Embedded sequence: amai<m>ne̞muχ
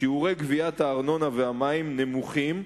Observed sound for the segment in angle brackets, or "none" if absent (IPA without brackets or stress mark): m